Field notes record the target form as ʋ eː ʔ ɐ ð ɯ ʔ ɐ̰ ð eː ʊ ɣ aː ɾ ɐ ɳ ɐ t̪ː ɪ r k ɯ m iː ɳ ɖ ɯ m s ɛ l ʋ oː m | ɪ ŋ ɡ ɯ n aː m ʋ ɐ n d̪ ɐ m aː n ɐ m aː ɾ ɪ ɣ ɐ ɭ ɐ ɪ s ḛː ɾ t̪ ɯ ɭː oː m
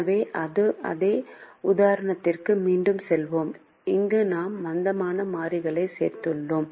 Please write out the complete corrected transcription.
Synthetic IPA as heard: ʋ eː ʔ ɐ ð ɯ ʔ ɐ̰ ð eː ʊ ð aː ɾ ɐ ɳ ɐ t̪ː ɪ r k ɯ m iː ɳ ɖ ɯ m s ɛ l ʋ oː m | ɪ ŋ ɡ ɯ n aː m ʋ ɐ n d̪ ɐ m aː n ɐ m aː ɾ ɪ ɣ ɐ ɭ ɐ ɪ s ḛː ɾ t̪ ɯ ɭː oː m